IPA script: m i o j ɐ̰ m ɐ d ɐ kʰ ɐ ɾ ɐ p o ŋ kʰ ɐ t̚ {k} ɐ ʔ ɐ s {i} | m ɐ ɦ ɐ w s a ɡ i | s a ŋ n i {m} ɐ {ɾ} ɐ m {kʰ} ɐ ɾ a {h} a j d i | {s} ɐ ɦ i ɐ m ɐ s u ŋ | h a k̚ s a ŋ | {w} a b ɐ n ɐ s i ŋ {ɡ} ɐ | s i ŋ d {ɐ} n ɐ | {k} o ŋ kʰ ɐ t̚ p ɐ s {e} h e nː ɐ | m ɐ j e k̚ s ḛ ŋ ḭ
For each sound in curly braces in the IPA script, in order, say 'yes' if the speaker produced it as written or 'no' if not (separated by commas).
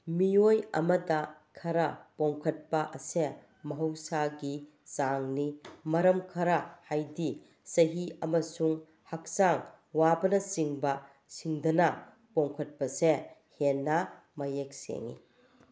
no, no, yes, yes, yes, yes, yes, yes, no, yes, no, yes